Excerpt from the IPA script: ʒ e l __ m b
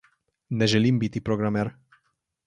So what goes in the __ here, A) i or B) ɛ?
A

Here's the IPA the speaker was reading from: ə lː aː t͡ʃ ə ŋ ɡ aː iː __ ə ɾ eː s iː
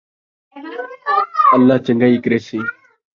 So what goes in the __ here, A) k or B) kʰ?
A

